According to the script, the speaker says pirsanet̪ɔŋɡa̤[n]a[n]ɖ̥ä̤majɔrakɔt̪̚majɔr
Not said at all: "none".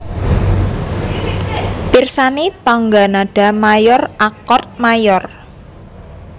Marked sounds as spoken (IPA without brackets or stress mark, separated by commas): n, none